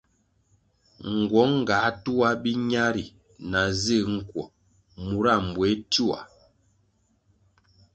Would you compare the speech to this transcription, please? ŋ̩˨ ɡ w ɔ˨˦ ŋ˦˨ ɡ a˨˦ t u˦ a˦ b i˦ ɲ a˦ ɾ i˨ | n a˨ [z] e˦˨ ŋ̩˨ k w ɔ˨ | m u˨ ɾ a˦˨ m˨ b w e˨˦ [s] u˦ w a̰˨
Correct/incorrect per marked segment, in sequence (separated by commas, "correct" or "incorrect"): correct, incorrect